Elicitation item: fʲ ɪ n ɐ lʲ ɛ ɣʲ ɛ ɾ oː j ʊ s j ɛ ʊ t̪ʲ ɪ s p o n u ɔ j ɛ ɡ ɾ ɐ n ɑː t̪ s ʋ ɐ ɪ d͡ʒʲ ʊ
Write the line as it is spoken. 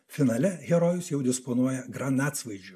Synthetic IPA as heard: fʲ ɪ n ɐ lʲ ɛ ɣʲ ɛ ɾ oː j ʊ s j ɛ ʊ d̪ʲ ɪ s p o n u ɔ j ɛ ɡ ɾ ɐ n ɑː t̪ s ʋ ɐ ɪ d͡ʒʲ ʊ